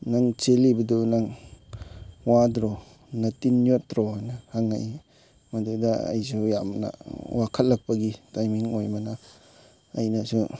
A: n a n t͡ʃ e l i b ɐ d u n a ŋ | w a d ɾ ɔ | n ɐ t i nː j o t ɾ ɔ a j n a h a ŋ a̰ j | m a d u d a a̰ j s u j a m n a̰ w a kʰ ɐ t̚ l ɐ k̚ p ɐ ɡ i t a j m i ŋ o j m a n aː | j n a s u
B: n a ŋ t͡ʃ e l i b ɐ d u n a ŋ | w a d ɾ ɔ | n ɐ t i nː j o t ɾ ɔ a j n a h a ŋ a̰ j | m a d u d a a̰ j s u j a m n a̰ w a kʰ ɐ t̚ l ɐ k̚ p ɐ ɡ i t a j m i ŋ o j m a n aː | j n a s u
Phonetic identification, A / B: B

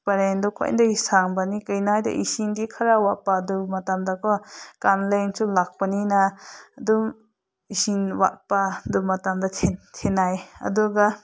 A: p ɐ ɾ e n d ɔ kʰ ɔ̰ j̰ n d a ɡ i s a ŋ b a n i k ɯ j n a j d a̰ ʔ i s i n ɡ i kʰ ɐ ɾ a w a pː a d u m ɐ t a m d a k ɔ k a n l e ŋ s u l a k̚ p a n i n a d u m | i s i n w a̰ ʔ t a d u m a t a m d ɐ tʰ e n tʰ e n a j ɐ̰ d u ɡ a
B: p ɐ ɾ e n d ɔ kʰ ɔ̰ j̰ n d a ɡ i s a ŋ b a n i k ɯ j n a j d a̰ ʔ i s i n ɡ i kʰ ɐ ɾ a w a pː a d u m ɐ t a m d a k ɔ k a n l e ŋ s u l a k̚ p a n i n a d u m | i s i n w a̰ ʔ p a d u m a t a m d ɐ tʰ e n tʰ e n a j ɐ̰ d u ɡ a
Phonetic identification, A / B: B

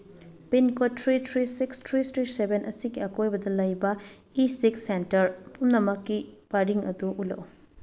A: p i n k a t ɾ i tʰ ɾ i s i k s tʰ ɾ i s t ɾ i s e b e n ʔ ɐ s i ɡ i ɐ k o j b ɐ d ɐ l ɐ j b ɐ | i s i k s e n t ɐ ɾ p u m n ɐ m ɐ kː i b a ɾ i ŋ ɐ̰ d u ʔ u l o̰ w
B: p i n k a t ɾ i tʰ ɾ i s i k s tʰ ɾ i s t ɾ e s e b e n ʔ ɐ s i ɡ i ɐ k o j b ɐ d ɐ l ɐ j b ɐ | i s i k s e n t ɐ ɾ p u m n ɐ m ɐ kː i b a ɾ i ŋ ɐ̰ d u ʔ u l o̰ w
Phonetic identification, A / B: A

